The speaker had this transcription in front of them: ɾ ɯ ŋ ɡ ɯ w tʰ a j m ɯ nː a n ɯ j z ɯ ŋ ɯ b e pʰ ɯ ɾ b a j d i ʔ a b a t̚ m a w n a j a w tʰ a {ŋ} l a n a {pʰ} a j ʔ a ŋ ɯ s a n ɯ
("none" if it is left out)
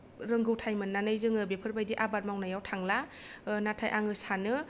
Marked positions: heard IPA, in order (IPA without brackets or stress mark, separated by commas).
ŋ, tʰ